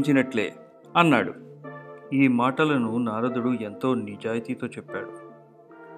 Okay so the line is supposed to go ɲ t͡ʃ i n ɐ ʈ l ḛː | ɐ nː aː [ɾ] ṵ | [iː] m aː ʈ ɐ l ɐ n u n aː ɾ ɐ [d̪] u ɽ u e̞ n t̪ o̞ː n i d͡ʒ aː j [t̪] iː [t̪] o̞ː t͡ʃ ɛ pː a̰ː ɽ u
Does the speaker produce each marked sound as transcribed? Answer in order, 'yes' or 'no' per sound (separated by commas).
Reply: no, yes, yes, yes, yes